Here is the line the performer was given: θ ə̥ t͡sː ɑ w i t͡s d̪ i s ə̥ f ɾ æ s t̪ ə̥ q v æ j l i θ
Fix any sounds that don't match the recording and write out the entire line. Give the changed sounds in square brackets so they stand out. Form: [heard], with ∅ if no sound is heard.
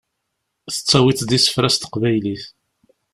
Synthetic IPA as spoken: θ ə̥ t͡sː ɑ w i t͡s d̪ i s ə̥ f ɾ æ s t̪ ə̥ q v æ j l i θ